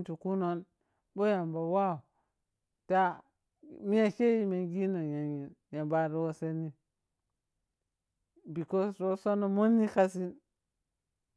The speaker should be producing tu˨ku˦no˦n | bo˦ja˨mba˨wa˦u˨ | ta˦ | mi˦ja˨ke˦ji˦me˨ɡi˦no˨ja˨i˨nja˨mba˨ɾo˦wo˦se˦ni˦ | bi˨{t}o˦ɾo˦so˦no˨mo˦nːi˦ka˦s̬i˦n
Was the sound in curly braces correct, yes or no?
no